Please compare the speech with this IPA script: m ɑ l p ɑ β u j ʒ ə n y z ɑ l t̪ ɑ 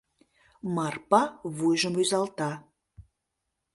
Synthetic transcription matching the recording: m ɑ r p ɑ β u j ʒ ə m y z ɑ l t̪ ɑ